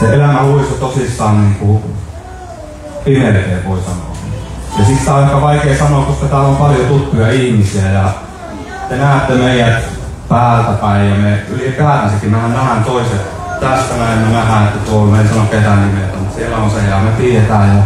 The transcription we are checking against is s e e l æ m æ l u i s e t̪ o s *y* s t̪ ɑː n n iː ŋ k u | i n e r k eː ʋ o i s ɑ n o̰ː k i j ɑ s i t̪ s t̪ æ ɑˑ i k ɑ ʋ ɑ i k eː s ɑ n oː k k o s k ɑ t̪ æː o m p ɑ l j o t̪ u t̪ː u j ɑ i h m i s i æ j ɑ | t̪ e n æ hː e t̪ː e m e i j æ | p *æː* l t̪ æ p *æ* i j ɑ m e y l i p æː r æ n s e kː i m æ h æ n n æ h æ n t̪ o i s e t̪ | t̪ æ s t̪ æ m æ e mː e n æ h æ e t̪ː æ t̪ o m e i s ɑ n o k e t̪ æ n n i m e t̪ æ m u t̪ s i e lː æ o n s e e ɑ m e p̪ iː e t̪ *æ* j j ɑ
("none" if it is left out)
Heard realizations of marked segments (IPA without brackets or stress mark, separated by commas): i, æː, æ, æː